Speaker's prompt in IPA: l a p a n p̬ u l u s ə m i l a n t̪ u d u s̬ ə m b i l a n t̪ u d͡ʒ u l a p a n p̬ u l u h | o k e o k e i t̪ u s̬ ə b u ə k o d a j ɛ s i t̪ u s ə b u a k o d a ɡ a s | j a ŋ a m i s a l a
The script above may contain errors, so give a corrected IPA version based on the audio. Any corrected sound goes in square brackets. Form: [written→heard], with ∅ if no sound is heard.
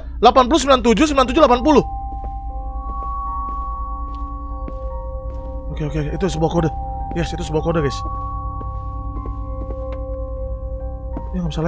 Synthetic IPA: l a p a n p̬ u l u s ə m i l a n t̪ u [d→d͡ʒ] u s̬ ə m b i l a n t̪ u d͡ʒ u l a p a n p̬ u l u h | o k e o k e i t̪ u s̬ ə b u [ə→a] k o d a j ɛ s i t̪ u s ə b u a k o d a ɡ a s | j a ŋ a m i s a l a